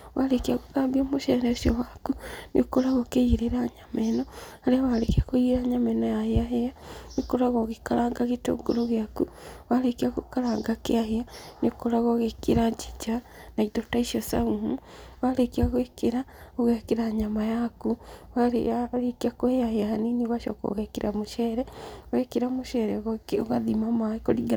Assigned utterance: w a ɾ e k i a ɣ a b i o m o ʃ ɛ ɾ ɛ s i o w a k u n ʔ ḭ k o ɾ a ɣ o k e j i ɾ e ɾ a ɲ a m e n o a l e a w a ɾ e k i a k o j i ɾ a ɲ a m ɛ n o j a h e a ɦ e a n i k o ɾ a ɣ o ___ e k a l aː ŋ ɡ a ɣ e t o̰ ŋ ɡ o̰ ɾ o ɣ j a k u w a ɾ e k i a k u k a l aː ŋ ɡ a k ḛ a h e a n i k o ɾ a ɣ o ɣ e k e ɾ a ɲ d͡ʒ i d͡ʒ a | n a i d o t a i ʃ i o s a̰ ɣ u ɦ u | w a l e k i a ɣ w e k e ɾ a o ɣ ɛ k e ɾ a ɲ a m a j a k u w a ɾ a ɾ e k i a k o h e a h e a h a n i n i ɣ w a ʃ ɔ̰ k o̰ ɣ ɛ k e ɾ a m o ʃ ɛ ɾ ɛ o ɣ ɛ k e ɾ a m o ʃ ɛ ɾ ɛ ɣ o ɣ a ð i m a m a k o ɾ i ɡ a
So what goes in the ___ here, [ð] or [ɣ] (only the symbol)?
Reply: ɣ